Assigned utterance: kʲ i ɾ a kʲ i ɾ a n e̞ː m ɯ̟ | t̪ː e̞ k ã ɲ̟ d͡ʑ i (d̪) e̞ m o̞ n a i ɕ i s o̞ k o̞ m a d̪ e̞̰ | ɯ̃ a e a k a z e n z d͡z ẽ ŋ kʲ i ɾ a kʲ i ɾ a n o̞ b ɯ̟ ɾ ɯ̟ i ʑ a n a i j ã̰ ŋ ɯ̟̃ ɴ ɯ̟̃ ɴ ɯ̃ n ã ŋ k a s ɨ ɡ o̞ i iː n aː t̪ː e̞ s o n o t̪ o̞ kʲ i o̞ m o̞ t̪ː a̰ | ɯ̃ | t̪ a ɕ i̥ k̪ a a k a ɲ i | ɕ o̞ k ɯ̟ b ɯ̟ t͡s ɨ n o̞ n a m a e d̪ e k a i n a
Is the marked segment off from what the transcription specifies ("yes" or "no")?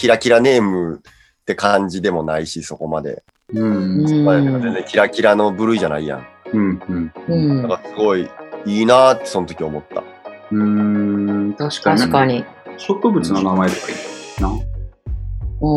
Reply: no